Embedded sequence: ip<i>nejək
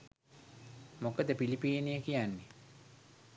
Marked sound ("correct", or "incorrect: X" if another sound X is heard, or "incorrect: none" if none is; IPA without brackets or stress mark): incorrect: iː